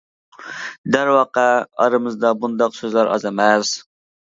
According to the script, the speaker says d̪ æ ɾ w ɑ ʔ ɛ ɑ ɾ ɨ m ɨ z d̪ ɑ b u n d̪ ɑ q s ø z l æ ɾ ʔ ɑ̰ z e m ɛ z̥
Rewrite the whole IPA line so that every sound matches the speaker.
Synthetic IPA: d̪ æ ɾ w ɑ q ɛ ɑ ɾ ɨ m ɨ z d̪ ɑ b u n d̪ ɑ q s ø z l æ ɾ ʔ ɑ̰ z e m ɛ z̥